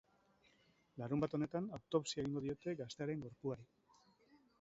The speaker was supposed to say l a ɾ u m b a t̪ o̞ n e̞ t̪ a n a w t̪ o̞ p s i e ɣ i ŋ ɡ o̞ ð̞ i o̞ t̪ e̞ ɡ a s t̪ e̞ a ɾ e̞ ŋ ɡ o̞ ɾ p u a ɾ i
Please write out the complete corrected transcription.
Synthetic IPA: l a ɾ u m b a t̪ o̞ n e̞ t̪ a n a w t̪ o̞ p s i e ɣ i ŋ ɡ o̞ ð̞ i o̞ t̪ e̞ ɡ a s t̪ e̞ a ɾ e̞ ŋ ɡ o̞ ɾ p u a ɾ i